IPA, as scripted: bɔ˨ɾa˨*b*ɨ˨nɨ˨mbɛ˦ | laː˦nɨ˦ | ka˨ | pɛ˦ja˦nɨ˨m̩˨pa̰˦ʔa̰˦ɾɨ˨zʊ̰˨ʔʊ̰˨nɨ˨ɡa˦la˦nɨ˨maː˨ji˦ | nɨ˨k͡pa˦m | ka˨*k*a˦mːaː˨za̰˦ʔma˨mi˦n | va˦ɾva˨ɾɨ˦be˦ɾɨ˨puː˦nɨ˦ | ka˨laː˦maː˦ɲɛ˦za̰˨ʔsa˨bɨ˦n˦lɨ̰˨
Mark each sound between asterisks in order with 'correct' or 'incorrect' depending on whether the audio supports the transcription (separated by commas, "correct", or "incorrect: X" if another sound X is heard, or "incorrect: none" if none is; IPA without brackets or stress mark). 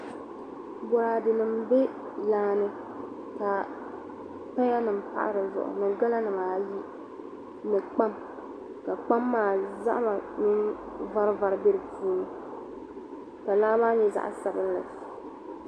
incorrect: d, incorrect: k͡p